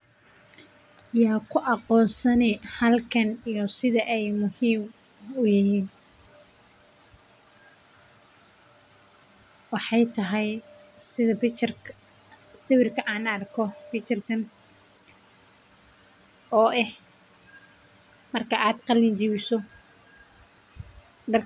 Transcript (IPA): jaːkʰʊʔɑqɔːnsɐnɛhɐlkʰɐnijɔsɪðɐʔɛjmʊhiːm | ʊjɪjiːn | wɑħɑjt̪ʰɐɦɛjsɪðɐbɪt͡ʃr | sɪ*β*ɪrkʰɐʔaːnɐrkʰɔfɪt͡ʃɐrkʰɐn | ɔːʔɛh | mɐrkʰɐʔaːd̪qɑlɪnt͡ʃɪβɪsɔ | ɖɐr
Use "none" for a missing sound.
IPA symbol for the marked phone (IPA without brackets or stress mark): w